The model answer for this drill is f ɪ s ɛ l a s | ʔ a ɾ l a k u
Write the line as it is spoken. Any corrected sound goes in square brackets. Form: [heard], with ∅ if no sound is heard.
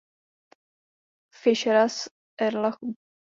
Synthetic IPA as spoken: f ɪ [ʃ] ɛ [ɾ] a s | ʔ [ɛ] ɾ l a [x] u